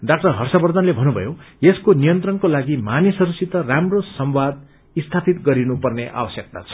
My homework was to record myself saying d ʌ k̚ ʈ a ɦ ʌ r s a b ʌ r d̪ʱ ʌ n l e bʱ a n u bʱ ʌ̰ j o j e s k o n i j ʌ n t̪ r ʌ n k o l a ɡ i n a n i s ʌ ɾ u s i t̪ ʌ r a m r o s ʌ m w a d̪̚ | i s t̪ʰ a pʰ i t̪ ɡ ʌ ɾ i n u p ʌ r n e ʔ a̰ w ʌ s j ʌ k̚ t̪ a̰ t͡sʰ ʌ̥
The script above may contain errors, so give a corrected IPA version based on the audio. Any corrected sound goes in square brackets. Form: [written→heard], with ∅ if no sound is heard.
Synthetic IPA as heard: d [ʌ→a] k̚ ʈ [a→ʌ] ɦ ʌ r s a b ʌ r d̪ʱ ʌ n l e bʱ [a→ʌ] n u bʱ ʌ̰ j o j e s k o n i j ʌ n t̪ r ʌ n k o l a ɡ i [n→m] a n i s ʌ ɾ u s i t̪ ʌ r a m r o s ʌ m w a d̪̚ | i s t̪ʰ a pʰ i t̪ ɡ ʌ ɾ i n u p ʌ r n e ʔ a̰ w ʌ s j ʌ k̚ t̪ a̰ t͡sʰ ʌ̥

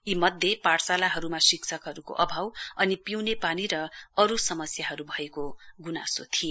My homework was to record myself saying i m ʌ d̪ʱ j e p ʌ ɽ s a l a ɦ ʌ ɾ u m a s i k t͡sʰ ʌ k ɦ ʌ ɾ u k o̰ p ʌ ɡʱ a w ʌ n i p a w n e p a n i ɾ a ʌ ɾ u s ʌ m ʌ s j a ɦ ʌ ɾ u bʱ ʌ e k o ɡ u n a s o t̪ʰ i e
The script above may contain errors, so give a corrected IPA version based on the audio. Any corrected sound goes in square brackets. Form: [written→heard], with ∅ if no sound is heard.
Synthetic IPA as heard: i m ʌ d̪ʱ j e p [ʌ→a] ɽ s a l a ɦ ʌ ɾ u m a s i k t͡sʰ ʌ k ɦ ʌ ɾ u k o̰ [p→ʔ] ʌ [ɡʱ→bʱ] a w ʌ n i p [a→i] w n e p a n i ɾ [a→ʌ] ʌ ɾ u s ʌ m ʌ s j a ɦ ʌ ɾ u bʱ ʌ e k o ɡ u n a s o t̪ʰ i e

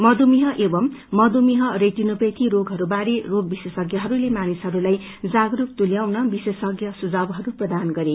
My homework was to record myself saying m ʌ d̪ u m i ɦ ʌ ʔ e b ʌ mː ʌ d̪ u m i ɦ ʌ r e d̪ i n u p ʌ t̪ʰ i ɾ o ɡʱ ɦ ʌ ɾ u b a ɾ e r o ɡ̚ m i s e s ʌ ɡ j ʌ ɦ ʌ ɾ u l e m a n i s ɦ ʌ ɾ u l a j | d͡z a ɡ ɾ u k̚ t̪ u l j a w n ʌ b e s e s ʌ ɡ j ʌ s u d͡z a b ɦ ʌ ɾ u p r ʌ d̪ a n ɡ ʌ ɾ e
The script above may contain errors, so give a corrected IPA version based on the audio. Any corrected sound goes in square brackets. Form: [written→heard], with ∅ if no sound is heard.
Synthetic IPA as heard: m ʌ d̪ u m i ɦ ʌ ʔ e b ʌ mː ʌ d̪ u m i ɦ ʌ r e [d̪→t̪] i n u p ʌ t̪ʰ i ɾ o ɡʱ ɦ ʌ ɾ u b a ɾ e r o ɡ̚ [m→b] i s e s ʌ ɡ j ʌ ɦ ʌ ɾ u l e m a n i s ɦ ʌ ɾ u l a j | d͡z a ɡ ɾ u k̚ t̪ u l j a w n ʌ b [e→i] s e s ʌ ɡ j ʌ s u d͡z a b ɦ ʌ ɾ u p r ʌ d̪ a n ɡ ʌ ɾ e

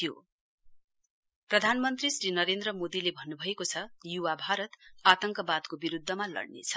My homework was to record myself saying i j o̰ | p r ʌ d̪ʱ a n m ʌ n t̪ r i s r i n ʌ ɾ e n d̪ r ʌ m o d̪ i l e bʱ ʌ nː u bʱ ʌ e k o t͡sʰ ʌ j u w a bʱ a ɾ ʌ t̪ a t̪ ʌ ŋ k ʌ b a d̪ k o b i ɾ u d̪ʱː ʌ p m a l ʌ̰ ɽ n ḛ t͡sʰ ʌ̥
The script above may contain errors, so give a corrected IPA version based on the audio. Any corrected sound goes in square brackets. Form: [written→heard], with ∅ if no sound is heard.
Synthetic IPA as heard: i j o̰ | p r ʌ d̪ʱ a n m ʌ n t̪ r i s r i n ʌ ɾ e n d̪ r ʌ m o d̪ i l e bʱ ʌ nː u bʱ ʌ e k o t͡sʰ ʌ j u w a bʱ a ɾ ʌ t̪ a t̪ ʌ ŋ k ʌ b a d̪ k o b i ɾ u d̪ʱː ʌ [p→∅] m a l ʌ̰ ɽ n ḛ t͡sʰ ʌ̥

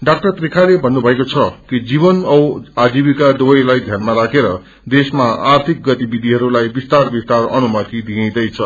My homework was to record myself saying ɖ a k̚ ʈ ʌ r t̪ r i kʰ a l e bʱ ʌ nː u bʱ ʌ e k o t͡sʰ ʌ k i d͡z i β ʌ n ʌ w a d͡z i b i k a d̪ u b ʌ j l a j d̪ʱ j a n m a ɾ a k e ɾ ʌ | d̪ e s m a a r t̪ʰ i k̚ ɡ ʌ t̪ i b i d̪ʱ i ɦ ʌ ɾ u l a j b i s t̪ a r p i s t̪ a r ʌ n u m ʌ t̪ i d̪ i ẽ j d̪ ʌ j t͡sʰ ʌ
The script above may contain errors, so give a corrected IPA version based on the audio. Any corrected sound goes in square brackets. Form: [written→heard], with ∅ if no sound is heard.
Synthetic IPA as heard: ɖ a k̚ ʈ ʌ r t̪ r i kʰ a l e bʱ ʌ nː u bʱ ʌ e k o t͡sʰ ʌ k i d͡z i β ʌ n ʌ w a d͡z i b i k a d̪ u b ʌ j l a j d̪ʱ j a n m a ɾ a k e ɾ ʌ | d̪ e s m a a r t̪ʰ i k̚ ɡ ʌ t̪ i b i d̪ʱ i ɦ ʌ ɾ u l a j b i s t̪ a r [p→b] i s t̪ a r ʌ n u m ʌ t̪ i d̪ i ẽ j d̪ ʌ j t͡sʰ ʌ

